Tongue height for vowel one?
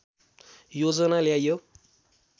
mid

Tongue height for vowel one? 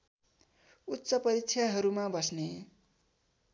high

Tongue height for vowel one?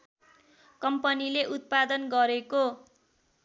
mid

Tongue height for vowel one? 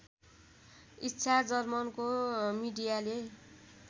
high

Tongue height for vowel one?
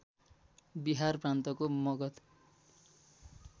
high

